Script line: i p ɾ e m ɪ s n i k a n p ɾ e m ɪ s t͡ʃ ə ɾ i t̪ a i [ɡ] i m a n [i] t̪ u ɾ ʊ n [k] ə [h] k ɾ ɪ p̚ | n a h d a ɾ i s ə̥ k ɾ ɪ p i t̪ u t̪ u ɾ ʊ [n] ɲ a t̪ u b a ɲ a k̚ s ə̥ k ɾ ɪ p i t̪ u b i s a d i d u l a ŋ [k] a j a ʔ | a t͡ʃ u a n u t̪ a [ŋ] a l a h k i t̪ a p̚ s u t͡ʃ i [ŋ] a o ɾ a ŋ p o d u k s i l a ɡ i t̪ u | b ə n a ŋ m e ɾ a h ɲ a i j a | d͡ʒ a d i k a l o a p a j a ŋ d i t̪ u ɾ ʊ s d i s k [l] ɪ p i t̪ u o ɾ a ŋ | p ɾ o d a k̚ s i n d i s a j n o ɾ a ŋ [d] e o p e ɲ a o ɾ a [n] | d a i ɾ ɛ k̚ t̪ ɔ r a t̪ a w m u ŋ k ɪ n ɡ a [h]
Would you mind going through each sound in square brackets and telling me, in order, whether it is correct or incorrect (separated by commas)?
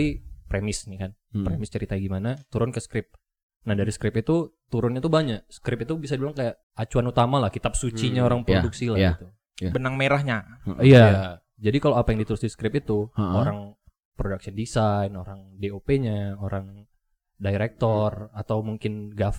correct, incorrect, correct, incorrect, correct, correct, incorrect, incorrect, incorrect, correct, incorrect, incorrect